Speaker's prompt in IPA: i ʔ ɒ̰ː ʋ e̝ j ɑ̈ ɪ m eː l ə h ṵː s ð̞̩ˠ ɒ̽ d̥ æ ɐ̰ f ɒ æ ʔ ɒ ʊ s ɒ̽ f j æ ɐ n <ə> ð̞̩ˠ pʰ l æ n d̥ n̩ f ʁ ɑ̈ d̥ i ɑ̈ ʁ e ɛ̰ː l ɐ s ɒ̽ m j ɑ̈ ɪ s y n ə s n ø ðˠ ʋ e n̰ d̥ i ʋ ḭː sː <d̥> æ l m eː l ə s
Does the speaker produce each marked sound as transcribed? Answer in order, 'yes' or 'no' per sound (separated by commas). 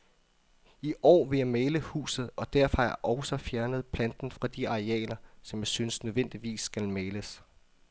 yes, no